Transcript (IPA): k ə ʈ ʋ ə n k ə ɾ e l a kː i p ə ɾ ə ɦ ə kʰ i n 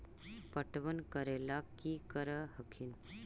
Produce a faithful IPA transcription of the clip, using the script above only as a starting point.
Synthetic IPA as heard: p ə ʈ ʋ ə n k ə ɾ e l a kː i k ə ɾ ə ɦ ə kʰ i n

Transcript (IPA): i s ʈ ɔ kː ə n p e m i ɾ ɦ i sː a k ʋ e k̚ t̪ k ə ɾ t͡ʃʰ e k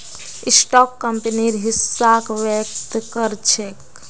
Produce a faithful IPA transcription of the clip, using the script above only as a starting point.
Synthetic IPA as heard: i s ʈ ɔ kː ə m p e n i ɾ ɦ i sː a k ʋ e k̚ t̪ k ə ɾ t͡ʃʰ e k

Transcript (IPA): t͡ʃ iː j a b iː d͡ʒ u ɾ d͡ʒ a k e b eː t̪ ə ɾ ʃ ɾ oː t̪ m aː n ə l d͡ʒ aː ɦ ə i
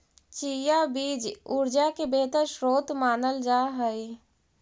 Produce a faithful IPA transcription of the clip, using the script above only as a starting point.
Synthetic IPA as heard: t͡ʃ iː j a b iː d͡ʒ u ɾ d͡ʒ a k e b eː t̪ ə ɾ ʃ ɾ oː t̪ m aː n ə l d͡ʒ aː ɦ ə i

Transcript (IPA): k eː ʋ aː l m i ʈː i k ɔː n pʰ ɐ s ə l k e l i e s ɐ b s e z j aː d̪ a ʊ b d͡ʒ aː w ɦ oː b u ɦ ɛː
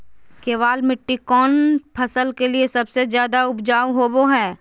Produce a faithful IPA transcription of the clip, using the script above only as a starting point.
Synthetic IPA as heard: k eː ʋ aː l m ɪ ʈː i k ɔː n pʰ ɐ s ə l k e l i e s ɐ b s e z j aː d̪ a ʊ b d͡ʒ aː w ɦ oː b o ɦ ɛː

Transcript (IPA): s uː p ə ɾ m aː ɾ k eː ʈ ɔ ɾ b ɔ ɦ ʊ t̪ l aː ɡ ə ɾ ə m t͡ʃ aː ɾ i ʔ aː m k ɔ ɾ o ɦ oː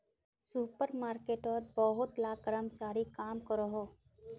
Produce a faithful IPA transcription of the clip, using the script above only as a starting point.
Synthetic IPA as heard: s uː p ə ɾ m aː ɾ k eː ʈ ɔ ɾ b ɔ ɦ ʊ t̪ l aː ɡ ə ɾ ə m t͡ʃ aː ɾ i k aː m k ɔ ɾ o ɦ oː

